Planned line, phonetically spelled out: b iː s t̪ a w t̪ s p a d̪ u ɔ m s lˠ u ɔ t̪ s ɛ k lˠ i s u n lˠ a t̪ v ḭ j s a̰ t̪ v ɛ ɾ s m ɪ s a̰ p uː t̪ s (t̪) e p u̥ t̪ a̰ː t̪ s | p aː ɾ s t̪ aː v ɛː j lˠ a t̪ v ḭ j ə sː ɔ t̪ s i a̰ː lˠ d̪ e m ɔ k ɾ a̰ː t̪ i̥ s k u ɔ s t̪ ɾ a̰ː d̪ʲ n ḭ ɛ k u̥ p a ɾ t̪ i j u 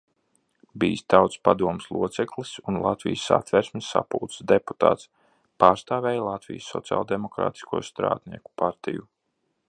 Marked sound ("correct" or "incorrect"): incorrect